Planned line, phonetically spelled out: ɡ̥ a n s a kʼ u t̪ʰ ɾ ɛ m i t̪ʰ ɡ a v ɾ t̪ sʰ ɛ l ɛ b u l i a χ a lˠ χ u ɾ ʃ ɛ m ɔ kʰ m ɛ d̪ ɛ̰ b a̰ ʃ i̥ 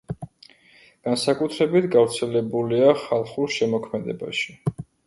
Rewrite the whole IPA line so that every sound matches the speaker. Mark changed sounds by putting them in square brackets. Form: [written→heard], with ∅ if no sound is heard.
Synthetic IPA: ɡ̥ a n s a kʼ u t̪ʰ ɾ ɛ [m→b] i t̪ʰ ɡ a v ɾ t̪ sʰ ɛ l ɛ b u l i a χ a lˠ χ u ɾ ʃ ɛ m ɔ kʰ m ɛ d̪ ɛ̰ b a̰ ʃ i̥